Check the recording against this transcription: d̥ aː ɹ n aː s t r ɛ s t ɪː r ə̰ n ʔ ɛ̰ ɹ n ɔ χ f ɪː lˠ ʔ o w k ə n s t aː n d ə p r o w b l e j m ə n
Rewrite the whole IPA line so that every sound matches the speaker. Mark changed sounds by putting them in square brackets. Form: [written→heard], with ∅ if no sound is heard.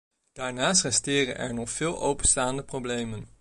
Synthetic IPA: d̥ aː ɹ n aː s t r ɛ s t ɪː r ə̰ n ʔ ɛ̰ ɹ n ɔ χ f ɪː lˠ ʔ o w [k→p] ə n s t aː n d ə p r o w b l e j m ə n